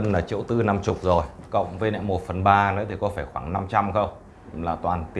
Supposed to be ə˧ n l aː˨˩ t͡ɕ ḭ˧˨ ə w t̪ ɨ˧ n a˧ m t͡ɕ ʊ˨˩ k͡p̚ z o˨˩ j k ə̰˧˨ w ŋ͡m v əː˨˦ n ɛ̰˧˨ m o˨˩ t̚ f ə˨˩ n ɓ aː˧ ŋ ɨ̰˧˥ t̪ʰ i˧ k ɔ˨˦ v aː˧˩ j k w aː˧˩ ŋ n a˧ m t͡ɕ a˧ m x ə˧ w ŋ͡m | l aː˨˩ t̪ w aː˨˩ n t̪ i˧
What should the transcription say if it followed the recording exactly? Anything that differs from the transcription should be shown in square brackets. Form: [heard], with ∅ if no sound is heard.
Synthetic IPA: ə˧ n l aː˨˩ t͡ɕ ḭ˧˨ ə w t̪ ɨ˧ n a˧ m t͡ɕ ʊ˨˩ k͡p̚ z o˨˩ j k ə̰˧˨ w ŋ͡m v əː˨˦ n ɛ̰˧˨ m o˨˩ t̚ f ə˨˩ n ɓ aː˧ [n] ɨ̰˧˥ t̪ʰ [i˨˩] k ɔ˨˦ [f] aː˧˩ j [x] w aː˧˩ ŋ n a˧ m t͡ɕ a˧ m x ə˧ w ŋ͡m | l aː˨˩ t̪ w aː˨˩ n t̪ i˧

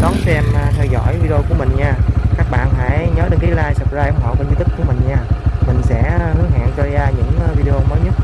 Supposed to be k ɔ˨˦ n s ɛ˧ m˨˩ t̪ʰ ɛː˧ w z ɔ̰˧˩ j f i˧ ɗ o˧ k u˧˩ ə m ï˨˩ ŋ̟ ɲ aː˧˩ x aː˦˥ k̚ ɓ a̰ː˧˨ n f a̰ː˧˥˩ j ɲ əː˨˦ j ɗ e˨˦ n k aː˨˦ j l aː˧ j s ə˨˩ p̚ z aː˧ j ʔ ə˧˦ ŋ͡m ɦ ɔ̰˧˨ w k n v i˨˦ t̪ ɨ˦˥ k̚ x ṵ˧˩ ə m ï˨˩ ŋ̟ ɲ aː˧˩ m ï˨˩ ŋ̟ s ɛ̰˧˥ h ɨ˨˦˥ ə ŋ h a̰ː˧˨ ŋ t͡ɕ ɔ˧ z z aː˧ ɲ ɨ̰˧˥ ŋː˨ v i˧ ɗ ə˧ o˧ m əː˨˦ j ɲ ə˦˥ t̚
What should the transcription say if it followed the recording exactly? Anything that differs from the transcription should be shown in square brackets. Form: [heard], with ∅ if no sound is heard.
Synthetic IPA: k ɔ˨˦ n s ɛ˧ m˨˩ t̪ʰ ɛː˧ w z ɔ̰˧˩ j [v] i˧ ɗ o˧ k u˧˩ ə m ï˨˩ ŋ̟ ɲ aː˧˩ [k] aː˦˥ k̚ ɓ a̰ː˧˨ n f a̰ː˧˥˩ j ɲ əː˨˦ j ɗ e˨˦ n k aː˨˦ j l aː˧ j s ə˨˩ p̚ z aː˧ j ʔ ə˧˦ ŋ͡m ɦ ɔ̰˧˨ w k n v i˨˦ t̪ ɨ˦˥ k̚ [k] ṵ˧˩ ə m ï˨˩ ŋ̟ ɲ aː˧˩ m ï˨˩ ŋ̟ s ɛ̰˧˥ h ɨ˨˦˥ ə ŋ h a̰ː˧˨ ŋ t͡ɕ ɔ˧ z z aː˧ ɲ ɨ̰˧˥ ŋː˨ v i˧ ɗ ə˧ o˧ m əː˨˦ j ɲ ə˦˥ t̚

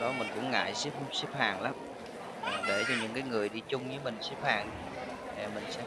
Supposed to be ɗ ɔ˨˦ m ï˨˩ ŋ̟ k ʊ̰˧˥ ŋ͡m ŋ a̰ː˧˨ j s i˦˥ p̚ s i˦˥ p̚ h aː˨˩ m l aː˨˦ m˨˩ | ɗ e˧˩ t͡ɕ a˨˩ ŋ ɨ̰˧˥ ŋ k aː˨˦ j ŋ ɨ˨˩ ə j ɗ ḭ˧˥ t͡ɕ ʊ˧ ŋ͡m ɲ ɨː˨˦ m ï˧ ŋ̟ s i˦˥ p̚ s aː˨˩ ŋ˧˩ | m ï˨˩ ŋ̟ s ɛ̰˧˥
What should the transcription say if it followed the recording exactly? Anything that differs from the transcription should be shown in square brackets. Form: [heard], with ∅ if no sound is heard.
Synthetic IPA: ɗ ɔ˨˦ m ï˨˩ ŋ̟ k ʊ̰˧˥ ŋ͡m ŋ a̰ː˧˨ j s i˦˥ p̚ s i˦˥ p̚ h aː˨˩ [ŋ] l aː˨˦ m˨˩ | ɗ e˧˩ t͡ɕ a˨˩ [ɲ] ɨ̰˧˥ ŋ k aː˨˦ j ŋ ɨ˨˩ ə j ɗ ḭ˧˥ t͡ɕ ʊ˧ ŋ͡m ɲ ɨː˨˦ m [ï˨˩] ŋ̟ s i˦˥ p̚ [h] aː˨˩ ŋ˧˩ | m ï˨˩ ŋ̟ s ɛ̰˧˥

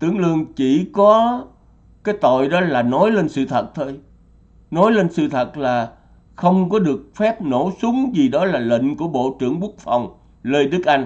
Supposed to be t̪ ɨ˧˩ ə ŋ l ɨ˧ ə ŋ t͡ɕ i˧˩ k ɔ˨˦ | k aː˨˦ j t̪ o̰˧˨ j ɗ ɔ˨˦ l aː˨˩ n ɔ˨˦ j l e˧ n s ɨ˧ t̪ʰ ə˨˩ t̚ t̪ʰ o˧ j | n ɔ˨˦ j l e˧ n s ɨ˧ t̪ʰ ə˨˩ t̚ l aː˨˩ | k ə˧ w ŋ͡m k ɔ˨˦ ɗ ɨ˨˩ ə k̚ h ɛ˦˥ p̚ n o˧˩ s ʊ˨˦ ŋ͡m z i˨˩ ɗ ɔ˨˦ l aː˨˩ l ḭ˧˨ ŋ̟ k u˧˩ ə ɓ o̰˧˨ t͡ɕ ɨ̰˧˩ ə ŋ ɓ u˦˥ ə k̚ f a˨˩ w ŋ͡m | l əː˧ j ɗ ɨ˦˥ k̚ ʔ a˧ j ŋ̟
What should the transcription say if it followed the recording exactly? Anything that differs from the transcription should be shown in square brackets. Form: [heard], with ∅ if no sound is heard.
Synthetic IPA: t̪ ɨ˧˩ ə ŋ l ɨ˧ ə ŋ t͡ɕ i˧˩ k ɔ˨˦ | k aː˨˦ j t̪ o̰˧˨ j ɗ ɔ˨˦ l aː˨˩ n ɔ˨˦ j l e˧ n s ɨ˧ t̪ʰ ə˨˩ t̚ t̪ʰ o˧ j | n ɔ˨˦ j l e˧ n s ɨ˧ t̪ʰ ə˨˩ t̚ l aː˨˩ | [x] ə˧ w ŋ͡m k ɔ˨˦ ɗ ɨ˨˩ ə k̚ [f] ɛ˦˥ p̚ n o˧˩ s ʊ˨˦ ŋ͡m z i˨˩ ɗ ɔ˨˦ l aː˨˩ l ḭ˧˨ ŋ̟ k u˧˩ ə ɓ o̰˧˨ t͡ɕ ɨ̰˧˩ ə ŋ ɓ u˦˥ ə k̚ f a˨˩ w ŋ͡m | l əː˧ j ɗ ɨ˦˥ k̚ ʔ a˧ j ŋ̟

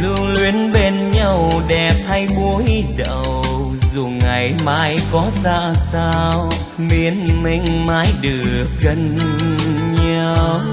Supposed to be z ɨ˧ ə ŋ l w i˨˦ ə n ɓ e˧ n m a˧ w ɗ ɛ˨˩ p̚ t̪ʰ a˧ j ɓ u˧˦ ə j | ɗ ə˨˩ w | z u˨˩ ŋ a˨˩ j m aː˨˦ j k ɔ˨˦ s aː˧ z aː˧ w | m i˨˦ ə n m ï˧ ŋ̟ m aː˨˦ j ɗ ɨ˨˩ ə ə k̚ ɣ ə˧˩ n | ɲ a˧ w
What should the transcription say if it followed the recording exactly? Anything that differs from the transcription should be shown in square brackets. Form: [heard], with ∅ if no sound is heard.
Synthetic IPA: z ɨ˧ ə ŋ l w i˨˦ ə n ɓ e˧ n [ɲ] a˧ w ɗ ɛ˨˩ p̚ t̪ʰ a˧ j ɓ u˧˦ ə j | ɗ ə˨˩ w | z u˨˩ ŋ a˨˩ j m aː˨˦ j k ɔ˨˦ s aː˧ [s] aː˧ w | m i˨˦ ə n m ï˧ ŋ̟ m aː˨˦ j ɗ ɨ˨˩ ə ə k̚ ɣ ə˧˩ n | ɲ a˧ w

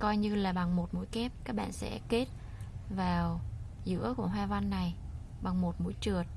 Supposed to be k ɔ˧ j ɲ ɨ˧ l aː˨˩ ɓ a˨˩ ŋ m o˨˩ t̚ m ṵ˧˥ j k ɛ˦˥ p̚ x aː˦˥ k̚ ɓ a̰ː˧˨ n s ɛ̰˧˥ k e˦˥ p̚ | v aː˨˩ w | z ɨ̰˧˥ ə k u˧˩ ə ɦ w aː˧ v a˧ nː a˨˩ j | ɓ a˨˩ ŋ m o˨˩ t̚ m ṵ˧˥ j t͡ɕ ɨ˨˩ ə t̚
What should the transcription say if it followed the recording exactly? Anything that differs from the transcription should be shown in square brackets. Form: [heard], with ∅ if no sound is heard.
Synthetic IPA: k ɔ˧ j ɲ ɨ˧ l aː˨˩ ɓ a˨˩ ŋ m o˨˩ t̚ m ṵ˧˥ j k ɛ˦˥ p̚ [k] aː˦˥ k̚ ɓ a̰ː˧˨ n s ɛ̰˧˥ k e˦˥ [t̚] | v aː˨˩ w | z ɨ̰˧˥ ə k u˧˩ ə ɦ w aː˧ v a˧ nː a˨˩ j | ɓ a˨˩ ŋ m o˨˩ t̚ m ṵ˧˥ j t͡ɕ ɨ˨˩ ə t̚

